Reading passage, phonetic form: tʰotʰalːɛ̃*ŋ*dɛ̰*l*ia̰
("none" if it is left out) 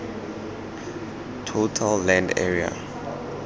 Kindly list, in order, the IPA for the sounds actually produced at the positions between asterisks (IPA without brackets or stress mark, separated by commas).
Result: n, ɹ